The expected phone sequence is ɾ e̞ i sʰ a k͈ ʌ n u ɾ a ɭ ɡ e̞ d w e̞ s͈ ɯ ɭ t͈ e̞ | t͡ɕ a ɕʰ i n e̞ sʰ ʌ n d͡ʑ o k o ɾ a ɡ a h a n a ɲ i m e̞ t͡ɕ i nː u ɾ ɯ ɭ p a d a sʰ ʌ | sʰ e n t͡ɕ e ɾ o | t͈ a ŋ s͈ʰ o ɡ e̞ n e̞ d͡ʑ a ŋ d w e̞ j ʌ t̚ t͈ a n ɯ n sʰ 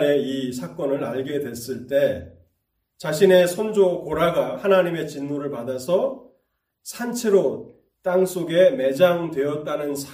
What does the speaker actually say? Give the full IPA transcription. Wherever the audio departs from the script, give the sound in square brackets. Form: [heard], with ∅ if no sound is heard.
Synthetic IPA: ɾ e̞ i sʰ a k͈ ʌ n [ɯ] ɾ a ɭ ɡ e̞ d w e̞ s͈ ɯ ɭ t͈ e̞ | t͡ɕ a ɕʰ i n e̞ sʰ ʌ n d͡ʑ o k o ɾ a ɡ a h a n a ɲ i m e̞ t͡ɕ i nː u ɾ ɯ ɭ p a d a sʰ ʌ | sʰ [a] n [t͡ɕʰ] e ɾ o | t͈ a ŋ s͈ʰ o ɡ e̞ [m] e̞ d͡ʑ a ŋ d w e̞ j ʌ t̚ t͈ a n ɯ n sʰ